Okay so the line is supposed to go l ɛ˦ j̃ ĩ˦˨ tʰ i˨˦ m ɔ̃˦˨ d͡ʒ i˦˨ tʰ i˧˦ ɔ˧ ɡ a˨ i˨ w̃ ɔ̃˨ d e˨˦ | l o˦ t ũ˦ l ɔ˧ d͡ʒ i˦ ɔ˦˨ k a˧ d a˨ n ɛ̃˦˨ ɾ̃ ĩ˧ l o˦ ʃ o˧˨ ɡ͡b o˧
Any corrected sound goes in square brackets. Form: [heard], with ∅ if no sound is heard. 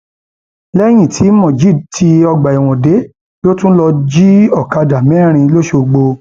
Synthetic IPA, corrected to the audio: l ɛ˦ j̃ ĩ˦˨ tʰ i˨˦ m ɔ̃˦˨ d͡ʒ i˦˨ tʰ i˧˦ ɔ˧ [ɡ͡b] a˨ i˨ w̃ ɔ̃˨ d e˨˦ | l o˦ t ũ˦ l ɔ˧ d͡ʒ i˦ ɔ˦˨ k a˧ d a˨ [m] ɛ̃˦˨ ɾ̃ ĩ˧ l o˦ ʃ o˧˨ ɡ͡b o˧